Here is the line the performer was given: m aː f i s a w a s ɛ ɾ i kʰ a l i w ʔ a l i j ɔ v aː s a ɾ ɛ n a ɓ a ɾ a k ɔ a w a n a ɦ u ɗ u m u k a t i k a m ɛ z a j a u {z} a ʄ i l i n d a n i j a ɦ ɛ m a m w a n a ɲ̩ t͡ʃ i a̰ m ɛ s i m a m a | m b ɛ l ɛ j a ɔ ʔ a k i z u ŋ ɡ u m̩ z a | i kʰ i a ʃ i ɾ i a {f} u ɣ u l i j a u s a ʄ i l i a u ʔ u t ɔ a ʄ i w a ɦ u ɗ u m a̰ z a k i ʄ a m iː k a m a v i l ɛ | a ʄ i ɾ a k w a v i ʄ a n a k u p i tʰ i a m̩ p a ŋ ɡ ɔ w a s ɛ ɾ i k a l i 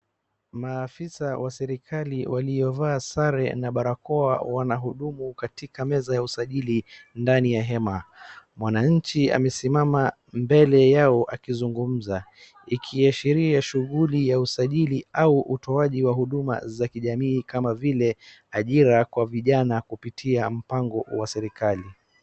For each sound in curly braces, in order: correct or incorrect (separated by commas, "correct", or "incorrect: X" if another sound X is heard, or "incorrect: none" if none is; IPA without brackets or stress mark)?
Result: incorrect: s, incorrect: ʃ